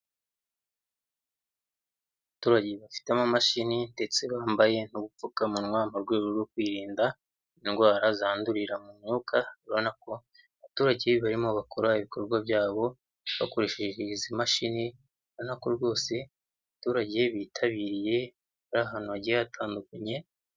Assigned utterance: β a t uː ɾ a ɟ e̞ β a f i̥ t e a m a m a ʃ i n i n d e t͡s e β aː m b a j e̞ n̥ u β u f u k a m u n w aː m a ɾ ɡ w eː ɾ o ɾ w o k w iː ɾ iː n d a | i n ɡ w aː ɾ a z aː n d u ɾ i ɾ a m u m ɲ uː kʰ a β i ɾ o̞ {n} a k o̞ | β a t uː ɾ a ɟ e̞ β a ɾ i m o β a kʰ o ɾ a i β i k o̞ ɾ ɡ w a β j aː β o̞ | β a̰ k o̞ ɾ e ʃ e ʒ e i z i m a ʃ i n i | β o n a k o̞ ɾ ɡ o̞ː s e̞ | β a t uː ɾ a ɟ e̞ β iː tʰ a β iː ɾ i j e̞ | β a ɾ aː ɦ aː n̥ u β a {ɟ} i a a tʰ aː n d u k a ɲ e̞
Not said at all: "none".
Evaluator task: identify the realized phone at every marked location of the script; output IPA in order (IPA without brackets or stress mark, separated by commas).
n, ɟ